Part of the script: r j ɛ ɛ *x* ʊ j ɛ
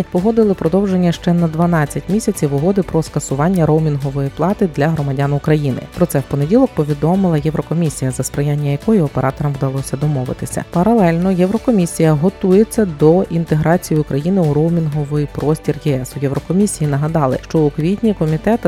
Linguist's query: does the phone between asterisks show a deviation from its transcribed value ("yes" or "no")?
yes